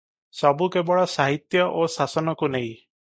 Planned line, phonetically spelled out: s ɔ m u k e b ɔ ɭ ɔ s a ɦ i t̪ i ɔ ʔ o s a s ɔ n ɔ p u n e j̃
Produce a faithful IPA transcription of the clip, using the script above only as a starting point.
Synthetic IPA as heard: s ɔ b u k e b ɔ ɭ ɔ s a ɦ i t̪ j ɔ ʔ o s a s ɔ n ɔ k u n e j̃